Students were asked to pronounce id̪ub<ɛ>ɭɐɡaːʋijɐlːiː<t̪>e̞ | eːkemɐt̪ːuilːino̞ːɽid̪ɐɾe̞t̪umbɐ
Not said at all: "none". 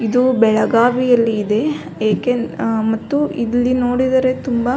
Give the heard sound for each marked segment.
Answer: ɛ, d̪

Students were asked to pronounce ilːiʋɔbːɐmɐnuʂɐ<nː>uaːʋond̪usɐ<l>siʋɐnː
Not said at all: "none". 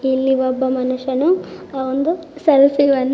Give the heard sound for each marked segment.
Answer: n, l

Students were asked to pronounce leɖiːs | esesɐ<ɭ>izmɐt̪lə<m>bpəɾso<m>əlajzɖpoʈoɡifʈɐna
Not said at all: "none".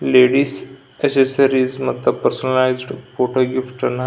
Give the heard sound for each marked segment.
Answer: ɾ, none, n

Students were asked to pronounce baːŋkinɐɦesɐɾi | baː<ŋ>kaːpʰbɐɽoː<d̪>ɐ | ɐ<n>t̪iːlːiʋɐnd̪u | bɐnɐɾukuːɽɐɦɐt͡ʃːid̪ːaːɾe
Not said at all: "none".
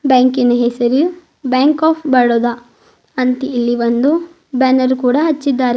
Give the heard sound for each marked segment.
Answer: ŋ, d̪, n

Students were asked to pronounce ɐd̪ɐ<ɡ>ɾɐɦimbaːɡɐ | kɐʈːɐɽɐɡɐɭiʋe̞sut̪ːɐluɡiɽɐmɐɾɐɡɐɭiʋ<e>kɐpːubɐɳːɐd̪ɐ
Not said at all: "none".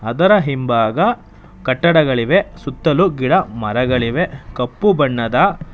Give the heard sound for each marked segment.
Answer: none, e

